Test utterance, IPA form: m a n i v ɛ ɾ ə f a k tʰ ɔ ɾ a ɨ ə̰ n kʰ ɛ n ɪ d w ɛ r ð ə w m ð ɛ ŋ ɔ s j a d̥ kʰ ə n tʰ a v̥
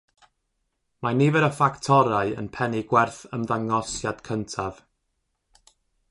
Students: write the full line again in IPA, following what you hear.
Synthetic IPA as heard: m a n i v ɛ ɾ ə f a k tʰ ɔ ɾ a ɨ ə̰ n pʰ ɛ n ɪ ɡ w ɛ r θ ə m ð a ŋ ɔ s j a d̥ kʰ ə n tʰ a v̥

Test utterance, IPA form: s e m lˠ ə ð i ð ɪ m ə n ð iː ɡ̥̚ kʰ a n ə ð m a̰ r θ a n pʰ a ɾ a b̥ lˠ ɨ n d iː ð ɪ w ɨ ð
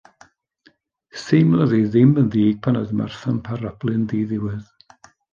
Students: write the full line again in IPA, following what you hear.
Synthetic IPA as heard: s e m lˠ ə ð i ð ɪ m ə n ð iː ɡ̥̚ pʰ a n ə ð m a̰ r θ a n pʰ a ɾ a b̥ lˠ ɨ n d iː ð ɪ w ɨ ð

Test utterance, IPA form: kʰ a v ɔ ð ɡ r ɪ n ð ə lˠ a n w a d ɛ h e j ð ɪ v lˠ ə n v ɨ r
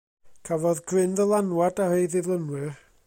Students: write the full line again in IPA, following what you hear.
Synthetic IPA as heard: kʰ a v ɔ ð ɡ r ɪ n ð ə lˠ a n w a d a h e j ð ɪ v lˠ ə n w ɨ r

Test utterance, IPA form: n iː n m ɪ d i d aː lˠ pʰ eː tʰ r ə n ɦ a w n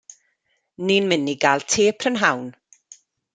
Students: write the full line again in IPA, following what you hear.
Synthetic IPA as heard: n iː n m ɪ n i ɡ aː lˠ tʰ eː pʰ r ə n ɦ a w n

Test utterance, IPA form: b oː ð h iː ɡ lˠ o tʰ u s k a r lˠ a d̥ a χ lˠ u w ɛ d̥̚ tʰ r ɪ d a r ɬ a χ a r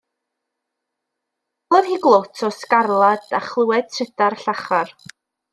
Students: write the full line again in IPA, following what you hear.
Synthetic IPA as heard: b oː ð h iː ɡ lˠ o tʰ ɔ s k a r lˠ a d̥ a χ lˠ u w ɛ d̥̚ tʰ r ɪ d a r ɬ a χ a r

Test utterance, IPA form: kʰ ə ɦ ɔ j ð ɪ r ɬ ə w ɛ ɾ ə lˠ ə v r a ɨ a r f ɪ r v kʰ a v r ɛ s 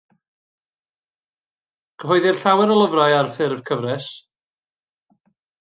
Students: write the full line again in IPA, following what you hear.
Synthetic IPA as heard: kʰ ə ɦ ɔ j ð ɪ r ɬ a w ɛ ɾ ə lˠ ə v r a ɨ a r f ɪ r v kʰ ə v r ɛ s

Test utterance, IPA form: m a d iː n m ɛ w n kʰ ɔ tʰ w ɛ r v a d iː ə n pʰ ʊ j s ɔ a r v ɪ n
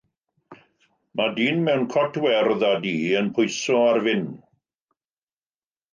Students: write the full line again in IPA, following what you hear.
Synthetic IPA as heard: m a d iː n m ɛ w n kʰ ɔ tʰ w ɛ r ð a d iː ə n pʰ ʊ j s ɔ a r v ɪ n

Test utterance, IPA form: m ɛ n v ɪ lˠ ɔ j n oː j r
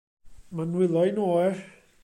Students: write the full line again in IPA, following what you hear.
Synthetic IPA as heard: m a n w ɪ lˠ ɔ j n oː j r

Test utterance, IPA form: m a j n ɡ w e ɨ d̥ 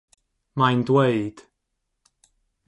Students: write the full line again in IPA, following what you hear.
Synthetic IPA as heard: m a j n d w e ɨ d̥

